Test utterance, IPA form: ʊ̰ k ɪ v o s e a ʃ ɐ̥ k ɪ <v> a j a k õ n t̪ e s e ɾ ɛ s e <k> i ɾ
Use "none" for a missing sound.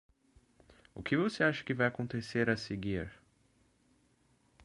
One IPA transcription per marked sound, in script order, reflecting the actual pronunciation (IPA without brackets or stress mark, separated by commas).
v, ɡ